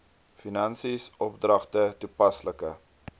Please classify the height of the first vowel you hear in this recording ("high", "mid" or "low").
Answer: high